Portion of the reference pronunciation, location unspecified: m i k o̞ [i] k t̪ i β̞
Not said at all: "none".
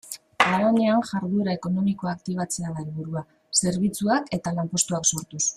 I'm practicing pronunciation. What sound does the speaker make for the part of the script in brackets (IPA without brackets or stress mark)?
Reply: a